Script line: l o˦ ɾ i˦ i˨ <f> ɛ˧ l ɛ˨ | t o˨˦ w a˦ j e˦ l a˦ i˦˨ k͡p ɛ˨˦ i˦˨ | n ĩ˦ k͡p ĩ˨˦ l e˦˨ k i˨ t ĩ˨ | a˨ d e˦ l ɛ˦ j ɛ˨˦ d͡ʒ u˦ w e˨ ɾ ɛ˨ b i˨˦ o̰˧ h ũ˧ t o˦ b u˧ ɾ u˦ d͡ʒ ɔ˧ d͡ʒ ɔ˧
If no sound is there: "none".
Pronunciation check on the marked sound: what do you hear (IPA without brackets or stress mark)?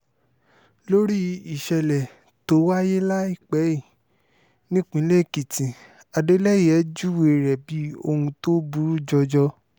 ʃ